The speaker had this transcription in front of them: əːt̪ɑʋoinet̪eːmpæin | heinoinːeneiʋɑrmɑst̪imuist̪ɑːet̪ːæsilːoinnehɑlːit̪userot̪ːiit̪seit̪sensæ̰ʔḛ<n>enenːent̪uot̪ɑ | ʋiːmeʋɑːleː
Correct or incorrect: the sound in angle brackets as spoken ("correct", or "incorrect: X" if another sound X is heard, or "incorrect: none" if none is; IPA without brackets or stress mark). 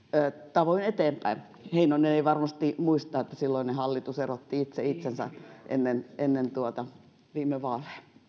incorrect: nː